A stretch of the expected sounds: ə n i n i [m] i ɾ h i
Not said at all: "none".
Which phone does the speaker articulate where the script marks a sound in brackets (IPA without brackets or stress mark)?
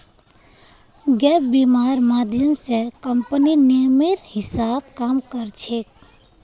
m